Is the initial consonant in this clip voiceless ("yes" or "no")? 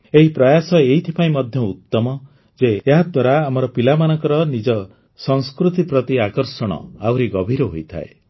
no